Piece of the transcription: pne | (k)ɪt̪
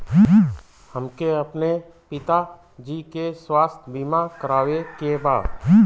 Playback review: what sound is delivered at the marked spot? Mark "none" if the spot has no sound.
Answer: p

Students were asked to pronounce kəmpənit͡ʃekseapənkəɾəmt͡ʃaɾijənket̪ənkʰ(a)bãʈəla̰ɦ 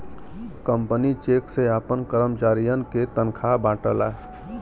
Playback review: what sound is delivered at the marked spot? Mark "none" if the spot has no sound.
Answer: a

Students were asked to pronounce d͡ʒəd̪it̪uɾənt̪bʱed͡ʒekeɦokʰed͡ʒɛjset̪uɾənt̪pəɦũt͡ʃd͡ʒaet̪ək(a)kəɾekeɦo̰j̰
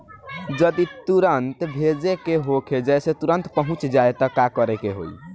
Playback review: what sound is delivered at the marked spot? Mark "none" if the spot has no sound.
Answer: a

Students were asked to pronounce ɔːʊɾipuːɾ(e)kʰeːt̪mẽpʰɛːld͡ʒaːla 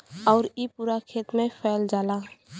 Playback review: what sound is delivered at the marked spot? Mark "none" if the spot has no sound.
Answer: a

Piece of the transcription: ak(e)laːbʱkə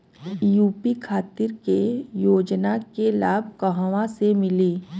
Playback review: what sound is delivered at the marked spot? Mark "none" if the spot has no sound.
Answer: e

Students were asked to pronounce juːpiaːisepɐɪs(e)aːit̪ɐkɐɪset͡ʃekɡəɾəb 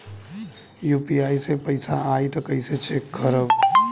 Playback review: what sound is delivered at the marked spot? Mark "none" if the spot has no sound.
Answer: a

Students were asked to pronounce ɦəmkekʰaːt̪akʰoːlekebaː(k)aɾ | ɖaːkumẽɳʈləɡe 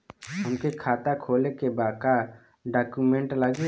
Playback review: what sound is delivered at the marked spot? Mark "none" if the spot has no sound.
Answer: k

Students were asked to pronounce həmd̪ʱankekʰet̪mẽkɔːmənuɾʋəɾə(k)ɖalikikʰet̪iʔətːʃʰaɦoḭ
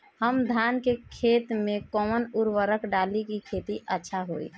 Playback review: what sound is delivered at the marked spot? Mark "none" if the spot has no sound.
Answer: k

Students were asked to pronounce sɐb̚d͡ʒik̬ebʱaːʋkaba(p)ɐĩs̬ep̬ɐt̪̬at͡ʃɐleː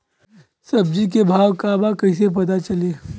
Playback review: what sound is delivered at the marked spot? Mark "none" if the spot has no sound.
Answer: k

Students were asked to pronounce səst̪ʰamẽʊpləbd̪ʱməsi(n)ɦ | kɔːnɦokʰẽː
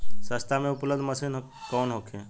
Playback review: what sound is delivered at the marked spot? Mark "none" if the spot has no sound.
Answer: n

